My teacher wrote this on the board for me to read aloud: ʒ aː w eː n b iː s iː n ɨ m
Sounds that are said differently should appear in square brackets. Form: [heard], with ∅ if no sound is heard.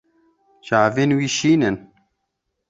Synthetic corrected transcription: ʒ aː [v] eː n [w] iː [ʃ] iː n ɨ [n]